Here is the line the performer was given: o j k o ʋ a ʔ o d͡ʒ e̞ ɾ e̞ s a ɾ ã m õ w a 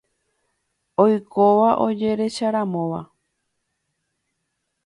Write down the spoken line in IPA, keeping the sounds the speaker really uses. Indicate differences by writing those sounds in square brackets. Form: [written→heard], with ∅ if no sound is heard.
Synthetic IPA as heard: o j k o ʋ a ʔ o d͡ʒ e̞ ɾ e̞ [s→ʃ] a ɾ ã m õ [w→ʋ] a